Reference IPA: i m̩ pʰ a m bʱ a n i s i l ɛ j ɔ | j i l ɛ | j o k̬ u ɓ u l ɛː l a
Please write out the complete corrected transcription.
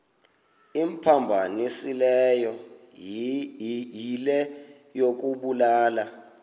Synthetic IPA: i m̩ pʰ a m bʱ a n i s i l ɛ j ɔ | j i l ɛ | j o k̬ u ɓ u l aː l a